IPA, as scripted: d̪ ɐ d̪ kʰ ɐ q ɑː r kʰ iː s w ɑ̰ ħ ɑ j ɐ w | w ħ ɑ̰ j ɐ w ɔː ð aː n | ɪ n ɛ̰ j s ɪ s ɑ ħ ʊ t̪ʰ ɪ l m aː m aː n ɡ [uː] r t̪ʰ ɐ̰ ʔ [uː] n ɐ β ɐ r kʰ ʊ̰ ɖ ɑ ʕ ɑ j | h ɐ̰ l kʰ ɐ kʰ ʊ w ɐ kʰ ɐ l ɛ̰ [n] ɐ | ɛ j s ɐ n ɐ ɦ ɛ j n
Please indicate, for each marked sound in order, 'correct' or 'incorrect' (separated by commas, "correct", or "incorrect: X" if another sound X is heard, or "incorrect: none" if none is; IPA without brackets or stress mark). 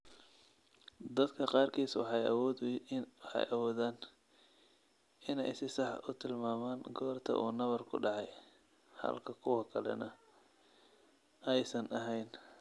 incorrect: ɔː, correct, correct